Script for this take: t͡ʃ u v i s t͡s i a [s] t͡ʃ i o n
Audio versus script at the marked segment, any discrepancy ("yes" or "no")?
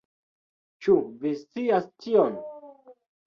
no